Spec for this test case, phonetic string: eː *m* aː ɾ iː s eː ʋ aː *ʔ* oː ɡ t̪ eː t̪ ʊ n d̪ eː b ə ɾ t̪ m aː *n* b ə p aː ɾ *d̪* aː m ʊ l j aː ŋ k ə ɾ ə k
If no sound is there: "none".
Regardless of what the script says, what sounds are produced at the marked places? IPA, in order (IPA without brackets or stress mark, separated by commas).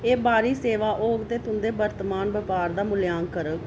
b, ʔ, n, d̪